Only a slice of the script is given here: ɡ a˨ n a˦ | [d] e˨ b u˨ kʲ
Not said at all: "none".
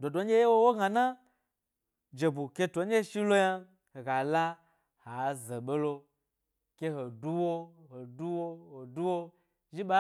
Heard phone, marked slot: d͡ʒ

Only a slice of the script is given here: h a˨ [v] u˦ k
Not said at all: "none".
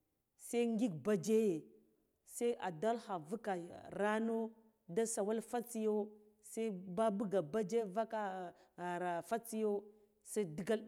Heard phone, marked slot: v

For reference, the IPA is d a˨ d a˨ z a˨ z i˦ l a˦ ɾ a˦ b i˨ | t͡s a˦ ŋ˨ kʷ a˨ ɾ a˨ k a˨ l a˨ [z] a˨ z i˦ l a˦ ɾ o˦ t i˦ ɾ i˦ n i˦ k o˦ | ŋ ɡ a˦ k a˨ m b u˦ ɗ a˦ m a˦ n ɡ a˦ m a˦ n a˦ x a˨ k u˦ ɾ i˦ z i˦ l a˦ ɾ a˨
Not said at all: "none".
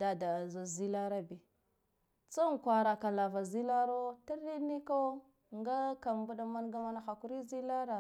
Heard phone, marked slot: v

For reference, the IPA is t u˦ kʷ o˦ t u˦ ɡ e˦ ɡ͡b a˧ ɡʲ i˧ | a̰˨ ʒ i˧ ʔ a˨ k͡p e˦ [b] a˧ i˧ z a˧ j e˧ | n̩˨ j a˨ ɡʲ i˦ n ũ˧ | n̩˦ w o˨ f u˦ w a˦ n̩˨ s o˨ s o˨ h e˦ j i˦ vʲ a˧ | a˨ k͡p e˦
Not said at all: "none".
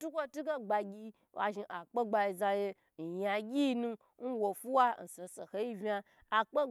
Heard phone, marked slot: ɡ͡b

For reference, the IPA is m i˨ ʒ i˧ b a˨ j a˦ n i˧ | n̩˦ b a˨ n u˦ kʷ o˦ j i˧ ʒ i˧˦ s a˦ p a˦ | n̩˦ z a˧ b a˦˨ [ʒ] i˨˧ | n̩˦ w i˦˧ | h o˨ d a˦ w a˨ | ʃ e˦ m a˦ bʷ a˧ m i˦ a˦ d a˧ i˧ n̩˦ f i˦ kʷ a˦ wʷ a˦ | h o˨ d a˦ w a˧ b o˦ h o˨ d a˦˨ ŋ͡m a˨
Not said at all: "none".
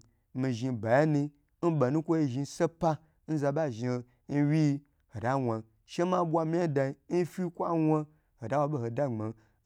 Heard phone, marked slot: ʒ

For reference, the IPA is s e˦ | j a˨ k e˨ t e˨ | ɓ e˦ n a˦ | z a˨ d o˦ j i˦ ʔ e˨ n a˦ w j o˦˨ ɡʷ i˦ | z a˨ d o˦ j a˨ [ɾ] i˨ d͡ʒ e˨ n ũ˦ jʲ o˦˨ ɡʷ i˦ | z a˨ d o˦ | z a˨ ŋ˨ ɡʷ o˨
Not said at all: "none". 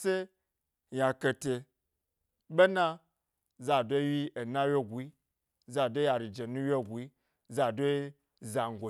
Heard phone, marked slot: ɾ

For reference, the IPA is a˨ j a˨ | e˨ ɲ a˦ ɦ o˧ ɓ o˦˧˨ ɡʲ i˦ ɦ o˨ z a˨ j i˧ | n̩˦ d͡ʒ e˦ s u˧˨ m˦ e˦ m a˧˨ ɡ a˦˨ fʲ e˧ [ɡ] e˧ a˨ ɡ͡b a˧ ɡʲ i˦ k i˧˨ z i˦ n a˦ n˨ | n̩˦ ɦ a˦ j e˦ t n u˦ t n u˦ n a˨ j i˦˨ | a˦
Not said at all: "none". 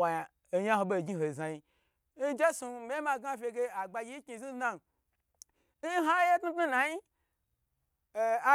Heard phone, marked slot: ɡ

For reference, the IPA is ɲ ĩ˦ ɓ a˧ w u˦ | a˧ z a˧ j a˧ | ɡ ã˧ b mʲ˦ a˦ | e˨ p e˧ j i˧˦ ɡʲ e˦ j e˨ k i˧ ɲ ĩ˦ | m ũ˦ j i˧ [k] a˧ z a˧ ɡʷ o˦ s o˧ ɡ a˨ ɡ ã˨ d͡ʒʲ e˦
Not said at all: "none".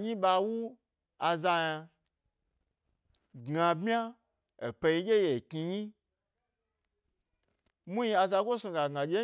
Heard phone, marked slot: none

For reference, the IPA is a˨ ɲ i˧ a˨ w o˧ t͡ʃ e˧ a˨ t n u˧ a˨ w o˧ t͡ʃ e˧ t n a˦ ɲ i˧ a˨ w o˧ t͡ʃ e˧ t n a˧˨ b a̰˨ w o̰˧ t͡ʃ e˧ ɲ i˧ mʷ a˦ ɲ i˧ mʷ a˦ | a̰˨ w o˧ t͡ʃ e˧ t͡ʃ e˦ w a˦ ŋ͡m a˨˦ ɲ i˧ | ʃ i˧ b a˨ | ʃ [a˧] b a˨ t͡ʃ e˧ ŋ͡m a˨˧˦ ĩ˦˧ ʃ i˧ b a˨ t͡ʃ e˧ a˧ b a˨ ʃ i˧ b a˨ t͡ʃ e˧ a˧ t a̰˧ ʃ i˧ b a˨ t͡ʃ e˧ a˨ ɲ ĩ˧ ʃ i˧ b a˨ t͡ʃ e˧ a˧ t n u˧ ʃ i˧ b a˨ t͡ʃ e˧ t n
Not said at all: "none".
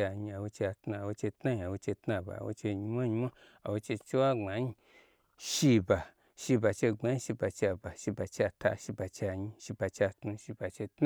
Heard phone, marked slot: i˧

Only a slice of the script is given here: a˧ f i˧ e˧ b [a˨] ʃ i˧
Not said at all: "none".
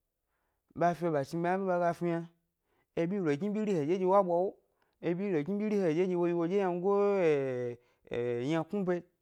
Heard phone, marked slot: a˨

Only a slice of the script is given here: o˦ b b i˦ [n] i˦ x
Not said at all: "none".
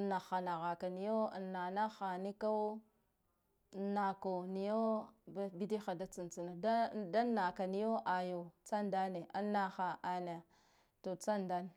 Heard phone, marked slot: d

